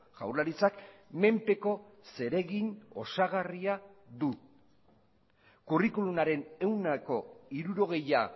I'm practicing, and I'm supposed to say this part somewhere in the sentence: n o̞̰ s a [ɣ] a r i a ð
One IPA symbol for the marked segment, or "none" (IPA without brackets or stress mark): ɣ